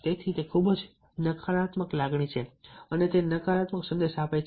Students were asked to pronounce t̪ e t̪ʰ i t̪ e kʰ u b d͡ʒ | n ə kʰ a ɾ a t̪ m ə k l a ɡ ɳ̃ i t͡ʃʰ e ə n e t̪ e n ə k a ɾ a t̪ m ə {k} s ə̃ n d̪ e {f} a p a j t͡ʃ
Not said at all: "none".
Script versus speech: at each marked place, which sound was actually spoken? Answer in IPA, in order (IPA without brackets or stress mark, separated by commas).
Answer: k, ʃ